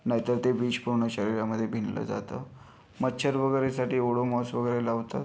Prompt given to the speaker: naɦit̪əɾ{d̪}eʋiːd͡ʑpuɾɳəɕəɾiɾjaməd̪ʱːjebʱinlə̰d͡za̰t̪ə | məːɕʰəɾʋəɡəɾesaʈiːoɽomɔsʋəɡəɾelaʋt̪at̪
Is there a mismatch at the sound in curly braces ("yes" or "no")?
yes